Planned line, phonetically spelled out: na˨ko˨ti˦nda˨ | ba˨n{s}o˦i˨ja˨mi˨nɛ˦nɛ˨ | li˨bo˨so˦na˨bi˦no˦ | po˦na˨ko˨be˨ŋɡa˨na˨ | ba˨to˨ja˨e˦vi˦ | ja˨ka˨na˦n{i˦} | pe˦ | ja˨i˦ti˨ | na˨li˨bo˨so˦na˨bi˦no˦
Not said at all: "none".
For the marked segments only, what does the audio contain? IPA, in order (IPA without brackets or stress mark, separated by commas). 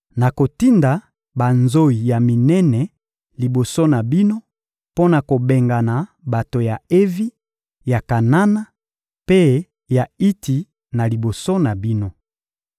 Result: z, a˦